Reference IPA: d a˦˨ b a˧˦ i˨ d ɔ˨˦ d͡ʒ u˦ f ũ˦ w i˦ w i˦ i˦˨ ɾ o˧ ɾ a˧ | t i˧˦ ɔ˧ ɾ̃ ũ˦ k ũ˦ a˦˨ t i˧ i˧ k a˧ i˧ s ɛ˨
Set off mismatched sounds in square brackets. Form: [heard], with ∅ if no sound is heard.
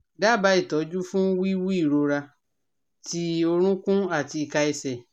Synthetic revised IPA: d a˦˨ b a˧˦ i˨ [t] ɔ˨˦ d͡ʒ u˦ f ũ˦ w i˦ w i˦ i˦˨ ɾ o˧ ɾ a˧ | t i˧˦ [o˧] ɾ̃ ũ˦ k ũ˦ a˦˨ t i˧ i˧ k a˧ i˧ s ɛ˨